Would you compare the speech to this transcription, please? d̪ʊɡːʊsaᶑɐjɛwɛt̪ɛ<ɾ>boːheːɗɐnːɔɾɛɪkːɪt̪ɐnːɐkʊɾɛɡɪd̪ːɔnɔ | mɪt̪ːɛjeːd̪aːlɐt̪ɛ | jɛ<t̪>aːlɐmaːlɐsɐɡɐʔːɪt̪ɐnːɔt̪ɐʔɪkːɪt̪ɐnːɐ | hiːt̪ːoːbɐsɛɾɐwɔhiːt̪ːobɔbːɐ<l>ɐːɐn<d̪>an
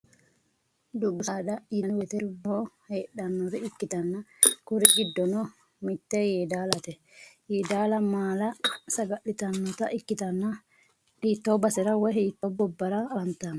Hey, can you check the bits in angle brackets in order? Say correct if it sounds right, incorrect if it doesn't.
correct, incorrect: d̪, incorrect: ɾ, incorrect: t̪

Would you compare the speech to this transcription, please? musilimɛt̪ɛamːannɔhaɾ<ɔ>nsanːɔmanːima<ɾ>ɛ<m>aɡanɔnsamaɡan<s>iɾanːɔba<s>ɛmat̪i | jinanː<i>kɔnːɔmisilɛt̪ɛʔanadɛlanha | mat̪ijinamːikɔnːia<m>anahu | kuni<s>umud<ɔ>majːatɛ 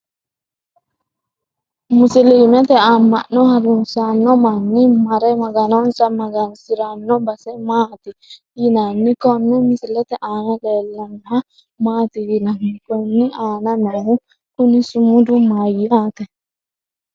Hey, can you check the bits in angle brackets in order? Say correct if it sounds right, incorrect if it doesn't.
incorrect: u, correct, correct, correct, correct, correct, incorrect: n, correct, incorrect: u

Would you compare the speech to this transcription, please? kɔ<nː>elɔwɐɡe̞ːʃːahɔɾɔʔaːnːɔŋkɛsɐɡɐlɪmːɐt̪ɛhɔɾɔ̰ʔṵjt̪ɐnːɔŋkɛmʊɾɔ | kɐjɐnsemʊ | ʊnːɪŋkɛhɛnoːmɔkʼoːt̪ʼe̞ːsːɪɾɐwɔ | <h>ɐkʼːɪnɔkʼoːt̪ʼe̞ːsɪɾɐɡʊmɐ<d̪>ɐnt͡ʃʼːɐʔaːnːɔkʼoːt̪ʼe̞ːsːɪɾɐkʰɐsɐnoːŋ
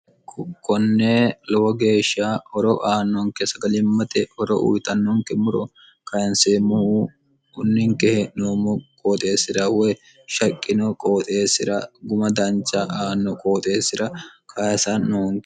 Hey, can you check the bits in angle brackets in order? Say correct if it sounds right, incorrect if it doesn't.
correct, incorrect: ʃ, correct

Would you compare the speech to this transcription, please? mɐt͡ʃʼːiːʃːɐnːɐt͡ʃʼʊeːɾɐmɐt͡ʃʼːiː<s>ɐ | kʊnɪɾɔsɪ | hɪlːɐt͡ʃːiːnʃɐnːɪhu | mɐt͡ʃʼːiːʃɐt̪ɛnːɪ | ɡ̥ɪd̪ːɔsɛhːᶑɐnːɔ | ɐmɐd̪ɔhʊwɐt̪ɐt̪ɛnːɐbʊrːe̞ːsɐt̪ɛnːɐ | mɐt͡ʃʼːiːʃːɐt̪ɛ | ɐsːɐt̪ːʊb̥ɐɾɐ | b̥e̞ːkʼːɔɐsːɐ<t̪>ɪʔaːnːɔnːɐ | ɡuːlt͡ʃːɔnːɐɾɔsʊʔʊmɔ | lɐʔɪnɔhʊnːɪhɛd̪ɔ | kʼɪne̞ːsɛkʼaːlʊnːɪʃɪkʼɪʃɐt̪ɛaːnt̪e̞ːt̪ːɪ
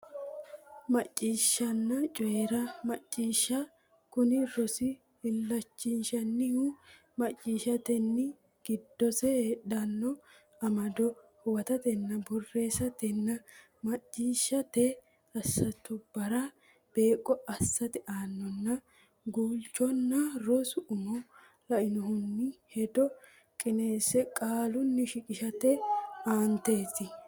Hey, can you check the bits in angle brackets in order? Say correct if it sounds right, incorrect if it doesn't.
incorrect: ʃ, correct

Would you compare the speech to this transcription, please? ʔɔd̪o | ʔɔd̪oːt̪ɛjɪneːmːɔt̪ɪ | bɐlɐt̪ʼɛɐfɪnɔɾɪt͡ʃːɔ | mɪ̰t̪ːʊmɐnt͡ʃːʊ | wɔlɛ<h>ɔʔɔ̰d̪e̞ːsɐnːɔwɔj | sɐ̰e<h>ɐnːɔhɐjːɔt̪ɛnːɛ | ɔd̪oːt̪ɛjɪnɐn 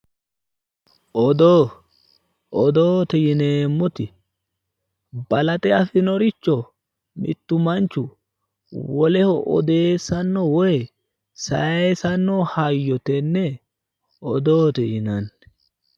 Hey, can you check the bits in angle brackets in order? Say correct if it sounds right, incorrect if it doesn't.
correct, incorrect: s

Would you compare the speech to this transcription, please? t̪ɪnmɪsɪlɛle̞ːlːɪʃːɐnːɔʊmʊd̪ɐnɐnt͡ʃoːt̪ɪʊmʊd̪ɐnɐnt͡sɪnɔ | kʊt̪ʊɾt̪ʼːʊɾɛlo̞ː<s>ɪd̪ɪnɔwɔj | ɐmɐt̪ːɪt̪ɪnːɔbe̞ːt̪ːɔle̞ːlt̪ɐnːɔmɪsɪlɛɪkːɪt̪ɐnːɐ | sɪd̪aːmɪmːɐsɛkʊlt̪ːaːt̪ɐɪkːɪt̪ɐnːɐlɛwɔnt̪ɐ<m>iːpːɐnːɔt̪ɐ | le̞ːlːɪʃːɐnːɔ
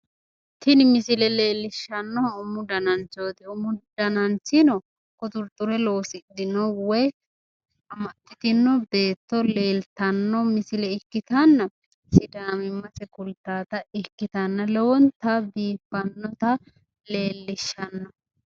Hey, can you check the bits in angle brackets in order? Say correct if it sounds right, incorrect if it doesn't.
correct, incorrect: b

